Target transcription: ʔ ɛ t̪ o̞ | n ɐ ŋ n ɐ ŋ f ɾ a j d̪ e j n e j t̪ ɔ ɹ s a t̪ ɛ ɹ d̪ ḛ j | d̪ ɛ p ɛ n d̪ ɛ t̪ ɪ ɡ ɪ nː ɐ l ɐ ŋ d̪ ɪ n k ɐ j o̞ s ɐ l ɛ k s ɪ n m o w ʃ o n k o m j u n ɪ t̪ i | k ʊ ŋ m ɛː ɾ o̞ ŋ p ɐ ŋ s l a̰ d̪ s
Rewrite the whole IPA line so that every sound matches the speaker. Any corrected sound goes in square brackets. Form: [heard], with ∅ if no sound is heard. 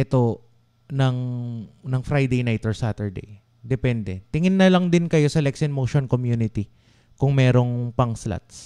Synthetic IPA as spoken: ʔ ɛ t̪ o̞ | n ɐ ŋ n ɐ ŋ f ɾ a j d̪ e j n [a] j t̪ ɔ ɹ s a t̪ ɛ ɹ d̪ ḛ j | d̪ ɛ p ɛ n d̪ ɛ t̪ ɪ [ŋ] ɪ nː ɐ l ɐ ŋ d̪ ɪ n k ɐ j o̞ s ɐ l ɛ k s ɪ n m o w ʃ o n k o m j u n ɪ t̪ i | k ʊ ŋ m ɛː ɾ o̞ ŋ p ɐ ŋ s l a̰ [t̪] s